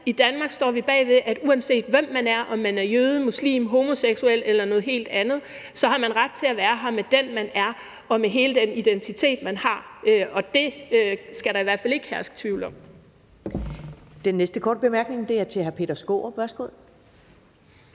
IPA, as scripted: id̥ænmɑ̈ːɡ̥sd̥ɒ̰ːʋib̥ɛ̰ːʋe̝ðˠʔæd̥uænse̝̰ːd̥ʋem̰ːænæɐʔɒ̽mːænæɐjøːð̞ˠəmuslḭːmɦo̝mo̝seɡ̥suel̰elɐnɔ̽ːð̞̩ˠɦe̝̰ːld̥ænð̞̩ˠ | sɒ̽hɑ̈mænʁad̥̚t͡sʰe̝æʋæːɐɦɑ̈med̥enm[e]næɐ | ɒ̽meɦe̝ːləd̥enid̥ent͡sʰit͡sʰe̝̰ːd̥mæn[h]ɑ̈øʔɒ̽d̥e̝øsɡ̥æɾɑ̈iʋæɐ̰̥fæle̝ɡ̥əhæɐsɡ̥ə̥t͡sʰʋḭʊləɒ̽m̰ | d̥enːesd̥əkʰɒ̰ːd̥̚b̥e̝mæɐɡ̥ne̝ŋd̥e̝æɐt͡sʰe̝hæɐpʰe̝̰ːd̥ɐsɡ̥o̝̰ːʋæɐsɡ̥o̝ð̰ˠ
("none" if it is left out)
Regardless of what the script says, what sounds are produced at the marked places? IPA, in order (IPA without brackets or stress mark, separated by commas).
æ, h